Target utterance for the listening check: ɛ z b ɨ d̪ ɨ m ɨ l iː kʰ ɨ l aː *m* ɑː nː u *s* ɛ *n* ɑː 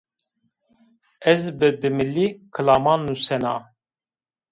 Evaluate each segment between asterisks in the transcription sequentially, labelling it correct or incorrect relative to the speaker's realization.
correct, correct, correct

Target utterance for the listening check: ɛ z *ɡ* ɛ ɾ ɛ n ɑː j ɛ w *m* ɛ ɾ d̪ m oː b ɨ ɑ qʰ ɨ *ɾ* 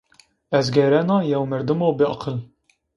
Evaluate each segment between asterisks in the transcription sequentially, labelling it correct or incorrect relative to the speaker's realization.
correct, correct, incorrect

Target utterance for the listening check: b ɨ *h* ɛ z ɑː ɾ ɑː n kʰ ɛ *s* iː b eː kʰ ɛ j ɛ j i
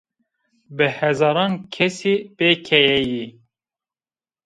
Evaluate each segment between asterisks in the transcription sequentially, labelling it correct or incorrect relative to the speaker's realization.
correct, correct

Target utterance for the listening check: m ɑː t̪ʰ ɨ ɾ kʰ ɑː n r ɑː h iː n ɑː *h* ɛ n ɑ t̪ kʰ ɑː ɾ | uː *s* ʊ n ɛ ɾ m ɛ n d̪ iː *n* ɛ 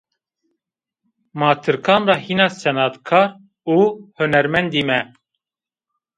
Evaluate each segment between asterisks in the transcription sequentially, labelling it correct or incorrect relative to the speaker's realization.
incorrect, incorrect, incorrect

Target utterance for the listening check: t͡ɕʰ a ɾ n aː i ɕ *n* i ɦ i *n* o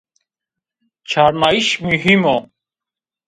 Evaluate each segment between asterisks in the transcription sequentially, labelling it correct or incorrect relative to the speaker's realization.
incorrect, incorrect

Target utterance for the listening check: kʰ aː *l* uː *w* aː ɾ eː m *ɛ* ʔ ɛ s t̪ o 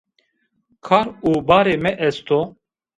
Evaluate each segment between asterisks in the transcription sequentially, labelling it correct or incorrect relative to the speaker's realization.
incorrect, incorrect, correct

